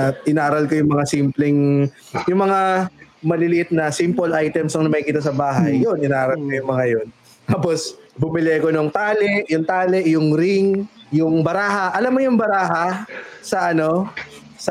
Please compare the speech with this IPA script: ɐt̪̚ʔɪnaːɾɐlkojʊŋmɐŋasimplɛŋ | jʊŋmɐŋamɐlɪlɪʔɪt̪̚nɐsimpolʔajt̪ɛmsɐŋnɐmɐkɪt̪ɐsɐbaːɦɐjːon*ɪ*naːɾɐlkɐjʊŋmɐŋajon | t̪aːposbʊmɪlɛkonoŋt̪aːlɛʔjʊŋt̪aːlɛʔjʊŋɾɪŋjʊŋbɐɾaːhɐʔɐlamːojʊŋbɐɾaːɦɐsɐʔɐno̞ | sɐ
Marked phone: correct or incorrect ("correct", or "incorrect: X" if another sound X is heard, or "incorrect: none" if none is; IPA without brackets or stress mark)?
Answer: correct